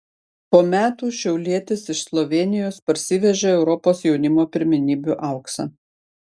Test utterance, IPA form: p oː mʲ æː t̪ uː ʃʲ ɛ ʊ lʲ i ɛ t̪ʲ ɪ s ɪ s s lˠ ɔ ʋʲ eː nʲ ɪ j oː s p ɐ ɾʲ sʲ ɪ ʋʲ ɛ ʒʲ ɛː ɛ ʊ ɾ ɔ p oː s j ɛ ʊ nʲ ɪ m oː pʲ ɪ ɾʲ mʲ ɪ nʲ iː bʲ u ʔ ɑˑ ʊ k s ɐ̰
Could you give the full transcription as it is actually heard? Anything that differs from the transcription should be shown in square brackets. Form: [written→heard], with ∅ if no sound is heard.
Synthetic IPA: p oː mʲ æː t̪ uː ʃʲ ɛ ʊ lʲ i ɛ t̪ʲ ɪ s ɪ [s→ʃ] s lˠ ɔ ʋʲ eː nʲ ɪ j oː s p ɐ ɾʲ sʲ ɪ ʋʲ ɛ ʒʲ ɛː ɛ ʊ ɾ ɔ p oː s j ɛ ʊ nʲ ɪ m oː pʲ ɪ ɾʲ mʲ ɪ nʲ iː bʲ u ʔ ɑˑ ʊ k s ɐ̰